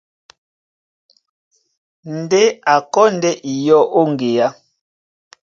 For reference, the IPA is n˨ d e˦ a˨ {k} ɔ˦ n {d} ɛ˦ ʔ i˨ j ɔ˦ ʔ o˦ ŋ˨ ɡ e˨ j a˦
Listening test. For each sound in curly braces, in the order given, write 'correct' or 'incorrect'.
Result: correct, correct

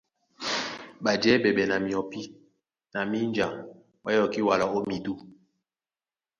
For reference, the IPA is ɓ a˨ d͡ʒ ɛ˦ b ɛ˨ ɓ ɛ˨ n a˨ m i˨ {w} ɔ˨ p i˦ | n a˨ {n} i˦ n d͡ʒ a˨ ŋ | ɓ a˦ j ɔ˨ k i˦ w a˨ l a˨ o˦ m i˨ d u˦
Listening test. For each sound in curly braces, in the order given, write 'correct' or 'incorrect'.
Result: incorrect: none, incorrect: m

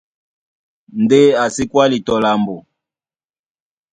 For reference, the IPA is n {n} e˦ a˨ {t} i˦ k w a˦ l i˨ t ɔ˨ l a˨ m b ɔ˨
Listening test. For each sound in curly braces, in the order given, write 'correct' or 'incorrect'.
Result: incorrect: d, incorrect: s

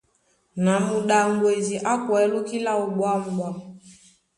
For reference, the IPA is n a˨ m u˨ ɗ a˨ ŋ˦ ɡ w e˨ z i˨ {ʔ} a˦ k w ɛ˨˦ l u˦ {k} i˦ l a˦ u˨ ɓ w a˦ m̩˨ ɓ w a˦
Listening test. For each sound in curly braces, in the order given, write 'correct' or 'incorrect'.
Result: correct, correct

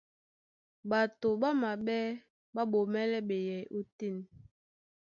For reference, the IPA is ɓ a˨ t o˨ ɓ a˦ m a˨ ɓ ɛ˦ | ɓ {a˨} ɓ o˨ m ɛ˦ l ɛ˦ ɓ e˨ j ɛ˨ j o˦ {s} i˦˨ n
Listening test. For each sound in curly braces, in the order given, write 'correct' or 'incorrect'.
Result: incorrect: a˦, incorrect: t

